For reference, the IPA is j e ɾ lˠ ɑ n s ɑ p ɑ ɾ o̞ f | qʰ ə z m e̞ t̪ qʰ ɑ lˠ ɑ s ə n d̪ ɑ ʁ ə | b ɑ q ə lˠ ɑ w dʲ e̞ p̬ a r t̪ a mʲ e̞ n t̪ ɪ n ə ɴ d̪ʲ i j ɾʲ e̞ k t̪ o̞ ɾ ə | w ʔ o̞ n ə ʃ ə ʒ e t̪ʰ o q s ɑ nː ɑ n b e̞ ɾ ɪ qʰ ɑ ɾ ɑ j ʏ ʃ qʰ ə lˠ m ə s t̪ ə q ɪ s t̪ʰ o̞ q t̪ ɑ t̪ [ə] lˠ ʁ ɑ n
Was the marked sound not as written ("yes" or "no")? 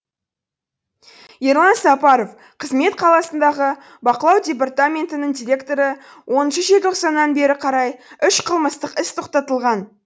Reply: no